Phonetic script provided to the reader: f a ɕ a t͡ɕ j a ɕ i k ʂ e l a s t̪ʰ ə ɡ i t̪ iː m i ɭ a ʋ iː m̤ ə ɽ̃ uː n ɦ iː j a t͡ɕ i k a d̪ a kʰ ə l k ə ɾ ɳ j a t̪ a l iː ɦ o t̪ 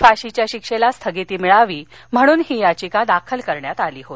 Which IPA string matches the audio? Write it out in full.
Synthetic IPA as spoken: f a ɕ i t͡ɕ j a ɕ i k ʂ e l a s t̪ʰ ə ɡ i t̪ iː m i ɭ a ʋ iː m̤ ə ɽ̃ uː n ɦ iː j a t͡ɕ i k a d̪ a kʰ ə l k ə ɾ ɳ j a t̪ a l iː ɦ o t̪